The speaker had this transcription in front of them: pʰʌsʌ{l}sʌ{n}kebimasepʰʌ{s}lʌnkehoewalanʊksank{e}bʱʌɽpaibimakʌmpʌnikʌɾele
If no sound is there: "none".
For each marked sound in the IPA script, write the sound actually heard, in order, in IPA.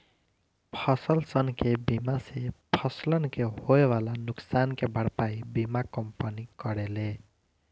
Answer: l, n, s, e

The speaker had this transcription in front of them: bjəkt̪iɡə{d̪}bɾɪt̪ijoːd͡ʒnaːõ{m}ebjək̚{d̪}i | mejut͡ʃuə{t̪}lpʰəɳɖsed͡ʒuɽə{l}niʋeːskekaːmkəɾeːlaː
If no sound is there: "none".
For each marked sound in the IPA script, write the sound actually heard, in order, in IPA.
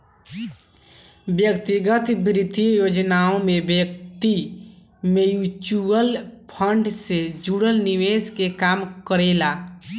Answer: t̪, m, t̪, none, l

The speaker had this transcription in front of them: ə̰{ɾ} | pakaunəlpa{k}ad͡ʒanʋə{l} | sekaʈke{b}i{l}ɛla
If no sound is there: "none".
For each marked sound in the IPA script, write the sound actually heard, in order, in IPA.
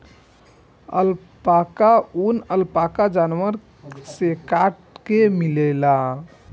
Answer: l, k, ɾ, m, l

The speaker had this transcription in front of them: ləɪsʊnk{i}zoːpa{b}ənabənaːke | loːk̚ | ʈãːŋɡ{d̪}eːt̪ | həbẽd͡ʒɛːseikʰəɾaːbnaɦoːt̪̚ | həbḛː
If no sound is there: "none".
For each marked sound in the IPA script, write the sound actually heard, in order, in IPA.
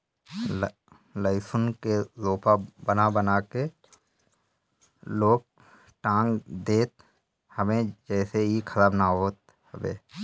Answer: e, b, d̪

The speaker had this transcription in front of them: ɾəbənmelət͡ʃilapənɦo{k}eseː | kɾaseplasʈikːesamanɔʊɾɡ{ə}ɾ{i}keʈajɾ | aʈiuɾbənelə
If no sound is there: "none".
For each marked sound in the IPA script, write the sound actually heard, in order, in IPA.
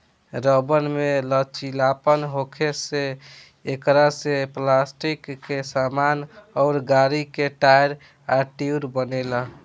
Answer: kʰ, a, i

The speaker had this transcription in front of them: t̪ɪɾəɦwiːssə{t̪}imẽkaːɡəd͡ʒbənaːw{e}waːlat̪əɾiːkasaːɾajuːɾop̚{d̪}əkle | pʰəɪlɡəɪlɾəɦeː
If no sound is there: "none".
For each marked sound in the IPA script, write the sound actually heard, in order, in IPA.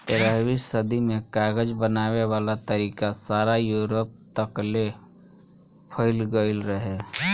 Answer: d̪, e, t̪

